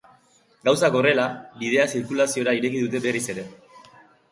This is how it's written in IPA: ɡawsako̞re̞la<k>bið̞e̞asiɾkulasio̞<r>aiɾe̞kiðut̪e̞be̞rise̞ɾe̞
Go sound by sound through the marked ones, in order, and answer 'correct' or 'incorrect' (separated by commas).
incorrect, incorrect